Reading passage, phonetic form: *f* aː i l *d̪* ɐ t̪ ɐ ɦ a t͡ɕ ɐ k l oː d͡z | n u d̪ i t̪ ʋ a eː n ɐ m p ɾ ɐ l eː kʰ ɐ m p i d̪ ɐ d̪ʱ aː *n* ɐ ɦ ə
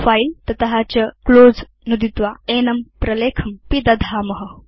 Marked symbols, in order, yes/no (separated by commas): yes, no, no